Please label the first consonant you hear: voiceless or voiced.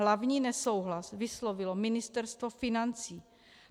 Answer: voiced